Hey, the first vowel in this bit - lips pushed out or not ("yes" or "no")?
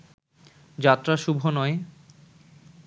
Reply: no